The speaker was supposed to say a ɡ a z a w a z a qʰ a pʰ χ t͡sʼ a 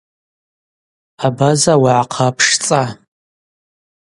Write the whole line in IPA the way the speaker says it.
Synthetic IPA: a b a z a w a ʕ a qʰ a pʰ ʂ t͡sʼ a